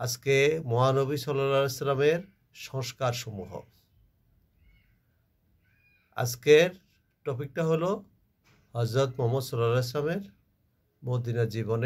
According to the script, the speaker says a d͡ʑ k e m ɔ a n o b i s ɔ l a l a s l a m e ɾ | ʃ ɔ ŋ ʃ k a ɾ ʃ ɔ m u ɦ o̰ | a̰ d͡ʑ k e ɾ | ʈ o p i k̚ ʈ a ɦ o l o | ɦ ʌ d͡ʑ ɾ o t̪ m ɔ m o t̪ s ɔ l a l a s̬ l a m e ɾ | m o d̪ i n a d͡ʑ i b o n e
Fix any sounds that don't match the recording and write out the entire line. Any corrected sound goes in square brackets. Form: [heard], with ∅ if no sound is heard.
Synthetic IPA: a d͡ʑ k e m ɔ a n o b i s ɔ l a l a s l a m e ɾ | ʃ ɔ ŋ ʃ k a ɾ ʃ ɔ m u ɦ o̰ | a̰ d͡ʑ k e ɾ | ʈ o p i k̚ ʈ a ɦ o l o | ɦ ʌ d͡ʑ ɾ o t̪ m ɔ m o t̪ s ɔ l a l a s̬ l a m e ɾ | m o d̪ i n a d͡ʑ i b o n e

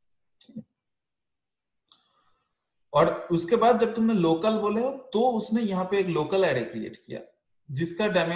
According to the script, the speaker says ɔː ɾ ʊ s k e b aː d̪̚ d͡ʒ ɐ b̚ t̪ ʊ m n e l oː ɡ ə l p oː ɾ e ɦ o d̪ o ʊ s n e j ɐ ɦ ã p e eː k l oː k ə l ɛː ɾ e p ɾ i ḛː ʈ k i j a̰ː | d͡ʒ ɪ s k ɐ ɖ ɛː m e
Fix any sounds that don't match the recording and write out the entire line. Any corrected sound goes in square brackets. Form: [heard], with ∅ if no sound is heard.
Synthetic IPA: ɔː ɾ ʊ s k e b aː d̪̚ d͡ʒ ɐ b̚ t̪ ʊ m n e l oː [k] ə l [b] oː [l] e ɦ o [t̪] o ʊ s n e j ɐ ɦ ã p e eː k l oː k ə l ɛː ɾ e [k] ɾ i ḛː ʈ k i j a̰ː | d͡ʒ ɪ s k [a] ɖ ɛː m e

